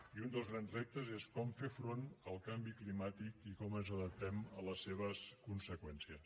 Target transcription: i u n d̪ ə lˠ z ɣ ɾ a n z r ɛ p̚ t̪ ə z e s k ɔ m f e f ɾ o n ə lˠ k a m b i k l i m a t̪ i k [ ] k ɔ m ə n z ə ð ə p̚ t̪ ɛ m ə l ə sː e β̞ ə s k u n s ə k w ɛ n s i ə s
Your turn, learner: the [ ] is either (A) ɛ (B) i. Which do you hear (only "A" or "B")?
B